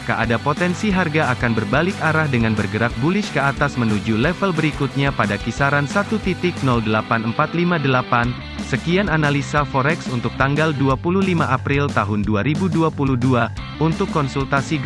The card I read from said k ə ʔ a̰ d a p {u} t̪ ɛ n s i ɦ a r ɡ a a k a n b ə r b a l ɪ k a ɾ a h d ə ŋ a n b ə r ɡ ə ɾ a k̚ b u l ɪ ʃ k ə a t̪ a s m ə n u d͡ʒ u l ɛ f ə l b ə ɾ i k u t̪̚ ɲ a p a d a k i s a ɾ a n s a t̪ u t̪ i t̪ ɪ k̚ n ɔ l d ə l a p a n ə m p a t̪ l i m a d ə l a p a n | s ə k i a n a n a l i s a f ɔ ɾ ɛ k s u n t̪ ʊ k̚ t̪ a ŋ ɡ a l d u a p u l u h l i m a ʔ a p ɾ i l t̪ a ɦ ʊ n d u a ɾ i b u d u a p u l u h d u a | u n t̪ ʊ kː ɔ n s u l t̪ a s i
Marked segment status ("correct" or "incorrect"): incorrect